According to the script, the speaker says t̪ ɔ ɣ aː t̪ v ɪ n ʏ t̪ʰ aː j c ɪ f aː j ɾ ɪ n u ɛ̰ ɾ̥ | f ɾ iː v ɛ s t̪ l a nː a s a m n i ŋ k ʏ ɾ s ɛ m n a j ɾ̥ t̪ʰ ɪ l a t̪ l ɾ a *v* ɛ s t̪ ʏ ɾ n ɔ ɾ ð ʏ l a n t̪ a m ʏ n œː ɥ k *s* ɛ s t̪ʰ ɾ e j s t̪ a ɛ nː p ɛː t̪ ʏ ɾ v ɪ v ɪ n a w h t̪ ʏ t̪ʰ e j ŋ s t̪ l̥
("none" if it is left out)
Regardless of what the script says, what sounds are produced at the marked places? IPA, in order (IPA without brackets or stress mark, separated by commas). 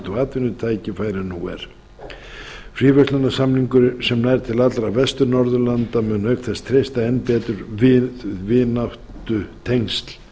v, θ